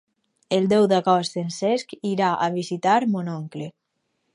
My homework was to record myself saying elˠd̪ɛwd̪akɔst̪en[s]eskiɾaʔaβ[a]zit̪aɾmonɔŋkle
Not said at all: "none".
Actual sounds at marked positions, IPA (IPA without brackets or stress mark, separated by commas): s, i